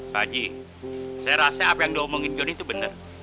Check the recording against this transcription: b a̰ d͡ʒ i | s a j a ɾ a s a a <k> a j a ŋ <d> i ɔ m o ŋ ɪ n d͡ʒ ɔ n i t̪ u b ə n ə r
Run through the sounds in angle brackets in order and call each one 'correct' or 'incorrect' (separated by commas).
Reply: incorrect, correct